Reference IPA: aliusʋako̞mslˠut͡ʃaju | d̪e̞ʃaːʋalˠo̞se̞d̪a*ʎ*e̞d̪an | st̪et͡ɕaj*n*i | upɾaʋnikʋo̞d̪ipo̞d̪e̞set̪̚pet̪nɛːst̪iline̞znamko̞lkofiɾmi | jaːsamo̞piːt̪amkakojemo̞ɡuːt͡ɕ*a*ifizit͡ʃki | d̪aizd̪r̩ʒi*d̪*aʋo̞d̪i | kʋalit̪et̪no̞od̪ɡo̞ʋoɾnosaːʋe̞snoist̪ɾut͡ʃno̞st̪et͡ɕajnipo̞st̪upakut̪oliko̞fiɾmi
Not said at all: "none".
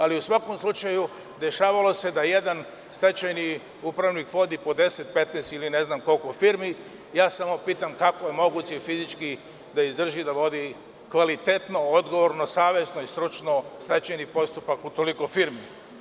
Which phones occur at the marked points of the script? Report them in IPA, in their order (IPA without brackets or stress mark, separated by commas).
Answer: j, n, e, d̪